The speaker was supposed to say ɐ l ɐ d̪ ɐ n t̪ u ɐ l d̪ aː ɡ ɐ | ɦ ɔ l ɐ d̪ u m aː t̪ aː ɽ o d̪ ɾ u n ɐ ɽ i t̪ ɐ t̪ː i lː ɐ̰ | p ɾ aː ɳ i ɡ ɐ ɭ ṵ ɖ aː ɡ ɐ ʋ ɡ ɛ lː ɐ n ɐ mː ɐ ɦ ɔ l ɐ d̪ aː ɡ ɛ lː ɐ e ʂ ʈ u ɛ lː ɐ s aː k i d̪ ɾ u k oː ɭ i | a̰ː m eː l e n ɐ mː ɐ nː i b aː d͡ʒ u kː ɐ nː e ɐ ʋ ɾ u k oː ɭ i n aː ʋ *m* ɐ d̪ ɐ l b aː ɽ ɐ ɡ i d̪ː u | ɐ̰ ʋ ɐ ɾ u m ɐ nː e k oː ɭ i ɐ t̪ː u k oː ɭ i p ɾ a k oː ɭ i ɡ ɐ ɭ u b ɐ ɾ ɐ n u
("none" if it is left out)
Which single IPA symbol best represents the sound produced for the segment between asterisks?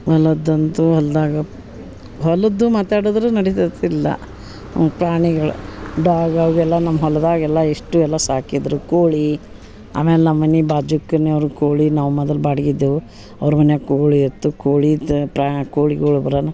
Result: m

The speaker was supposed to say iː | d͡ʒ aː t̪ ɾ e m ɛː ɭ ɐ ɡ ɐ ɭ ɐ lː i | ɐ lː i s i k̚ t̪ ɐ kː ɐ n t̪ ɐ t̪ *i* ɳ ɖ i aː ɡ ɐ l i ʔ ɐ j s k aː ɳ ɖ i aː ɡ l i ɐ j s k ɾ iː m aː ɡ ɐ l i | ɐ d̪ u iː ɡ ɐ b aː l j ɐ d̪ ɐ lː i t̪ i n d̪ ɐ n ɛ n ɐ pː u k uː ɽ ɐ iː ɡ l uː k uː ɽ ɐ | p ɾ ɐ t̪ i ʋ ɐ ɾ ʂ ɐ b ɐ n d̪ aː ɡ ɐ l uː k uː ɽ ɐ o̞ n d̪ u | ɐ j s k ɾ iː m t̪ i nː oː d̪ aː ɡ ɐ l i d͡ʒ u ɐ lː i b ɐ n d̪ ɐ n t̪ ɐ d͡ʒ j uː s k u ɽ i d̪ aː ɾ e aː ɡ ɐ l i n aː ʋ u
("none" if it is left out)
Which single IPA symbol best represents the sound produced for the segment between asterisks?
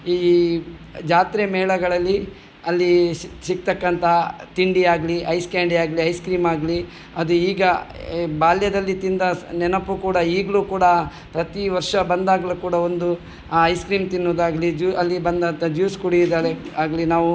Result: i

